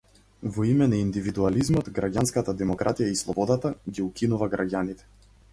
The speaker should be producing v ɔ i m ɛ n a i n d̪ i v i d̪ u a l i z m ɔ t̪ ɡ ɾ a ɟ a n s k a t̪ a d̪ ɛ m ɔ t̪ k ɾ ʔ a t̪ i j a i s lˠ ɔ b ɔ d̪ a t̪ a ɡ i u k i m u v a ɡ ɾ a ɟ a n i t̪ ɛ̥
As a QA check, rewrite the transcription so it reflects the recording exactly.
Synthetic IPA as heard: v ɔ i m ɛ n a i n d̪ i v i d̪ u a l i z m ɔ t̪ ɡ ɾ a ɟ a n s k a t̪ a d̪ ɛ m ɔ k ɾ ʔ a t̪ i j a i s lˠ ɔ b ɔ d̪ a t̪ a ɡ i u k i n u v a ɡ ɾ a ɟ a n i t̪ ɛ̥